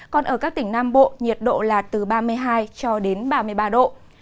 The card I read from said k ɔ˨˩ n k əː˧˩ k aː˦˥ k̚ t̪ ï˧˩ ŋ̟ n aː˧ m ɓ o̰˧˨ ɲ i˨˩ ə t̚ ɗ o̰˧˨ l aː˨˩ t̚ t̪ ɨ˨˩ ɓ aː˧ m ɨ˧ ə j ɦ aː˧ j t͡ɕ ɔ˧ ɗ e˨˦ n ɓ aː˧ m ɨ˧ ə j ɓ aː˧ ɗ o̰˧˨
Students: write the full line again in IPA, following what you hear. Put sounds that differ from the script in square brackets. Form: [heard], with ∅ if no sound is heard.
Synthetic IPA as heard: k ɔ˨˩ n [ʔ] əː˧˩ k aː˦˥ k̚ t̪ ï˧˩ ŋ̟ n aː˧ m ɓ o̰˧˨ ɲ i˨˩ ə t̚ ɗ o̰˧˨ l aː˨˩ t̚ t̪ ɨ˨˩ ɓ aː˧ m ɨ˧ ə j ɦ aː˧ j t͡ɕ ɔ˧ ɗ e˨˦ n ɓ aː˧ m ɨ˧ ə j ɓ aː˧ ɗ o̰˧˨